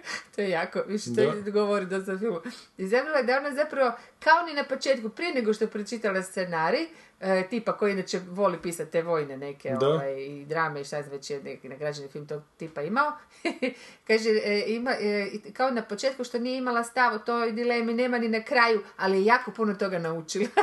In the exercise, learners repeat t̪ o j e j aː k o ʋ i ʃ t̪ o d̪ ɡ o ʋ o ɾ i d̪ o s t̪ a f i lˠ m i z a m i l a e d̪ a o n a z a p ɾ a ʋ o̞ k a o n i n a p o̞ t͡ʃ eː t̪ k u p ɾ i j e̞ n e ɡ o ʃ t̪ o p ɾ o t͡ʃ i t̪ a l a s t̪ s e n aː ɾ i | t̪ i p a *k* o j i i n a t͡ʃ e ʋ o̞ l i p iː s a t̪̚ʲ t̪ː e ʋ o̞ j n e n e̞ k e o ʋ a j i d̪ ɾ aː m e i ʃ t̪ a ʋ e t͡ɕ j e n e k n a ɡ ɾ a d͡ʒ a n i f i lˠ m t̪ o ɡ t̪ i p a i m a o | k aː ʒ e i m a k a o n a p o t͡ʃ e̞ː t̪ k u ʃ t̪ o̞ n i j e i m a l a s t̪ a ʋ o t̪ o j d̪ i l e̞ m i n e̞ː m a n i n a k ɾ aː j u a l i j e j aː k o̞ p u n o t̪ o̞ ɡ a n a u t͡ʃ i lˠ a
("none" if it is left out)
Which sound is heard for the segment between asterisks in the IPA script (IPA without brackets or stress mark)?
k